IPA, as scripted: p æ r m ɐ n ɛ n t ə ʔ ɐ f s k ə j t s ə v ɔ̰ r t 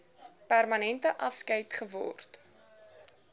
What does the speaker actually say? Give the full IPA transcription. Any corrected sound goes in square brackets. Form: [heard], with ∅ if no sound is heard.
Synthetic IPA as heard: p æ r m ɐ n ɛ n t ə ʔ ɐ f s k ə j t [χ] ə v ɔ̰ r t